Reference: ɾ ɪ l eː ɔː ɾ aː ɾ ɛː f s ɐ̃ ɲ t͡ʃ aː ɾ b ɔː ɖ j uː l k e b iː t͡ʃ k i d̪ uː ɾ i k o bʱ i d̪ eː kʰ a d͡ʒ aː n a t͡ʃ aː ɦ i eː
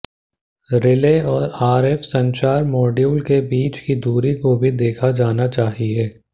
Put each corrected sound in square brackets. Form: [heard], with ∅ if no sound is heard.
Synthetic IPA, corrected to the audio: ɾ ɪ l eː ɔː ɾ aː ɾ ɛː f s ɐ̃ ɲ t͡ʃ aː ɾ [m] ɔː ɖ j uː l k e b iː t͡ʃ k i d̪ uː ɾ i k o bʱ i d̪ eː kʰ a d͡ʒ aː n a t͡ʃ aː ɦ i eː